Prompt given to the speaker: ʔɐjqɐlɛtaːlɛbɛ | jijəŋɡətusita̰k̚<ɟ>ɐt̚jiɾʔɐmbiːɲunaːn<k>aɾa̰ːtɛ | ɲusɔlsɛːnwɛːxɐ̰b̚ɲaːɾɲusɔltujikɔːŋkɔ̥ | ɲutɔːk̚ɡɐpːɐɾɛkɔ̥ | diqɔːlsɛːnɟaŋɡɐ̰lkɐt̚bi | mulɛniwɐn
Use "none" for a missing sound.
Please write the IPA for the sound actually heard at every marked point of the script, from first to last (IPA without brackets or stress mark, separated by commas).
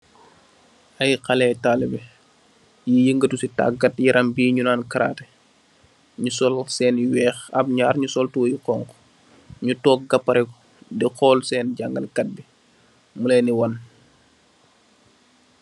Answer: ɡ, k